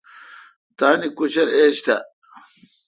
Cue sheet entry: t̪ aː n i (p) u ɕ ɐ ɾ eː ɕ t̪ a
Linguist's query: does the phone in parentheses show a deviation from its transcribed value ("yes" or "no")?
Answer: yes